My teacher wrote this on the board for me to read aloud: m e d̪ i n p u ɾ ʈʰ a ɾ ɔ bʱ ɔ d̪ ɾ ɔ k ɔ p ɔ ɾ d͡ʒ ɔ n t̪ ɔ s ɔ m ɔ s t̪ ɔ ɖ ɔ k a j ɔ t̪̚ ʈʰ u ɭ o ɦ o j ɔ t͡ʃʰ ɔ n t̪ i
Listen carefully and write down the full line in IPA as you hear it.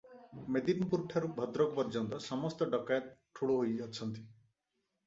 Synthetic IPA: m e d̪ i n p u ɾ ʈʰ a ɾ u bʱ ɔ d̪ ɾ ɔ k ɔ p ɔ ɾ d͡ʒ ɔ n t̪ ɔ s ɔ m ɔ s t̪ ɔ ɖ ɔ k a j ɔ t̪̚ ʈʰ u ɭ o ɦ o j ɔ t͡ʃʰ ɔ n t̪ i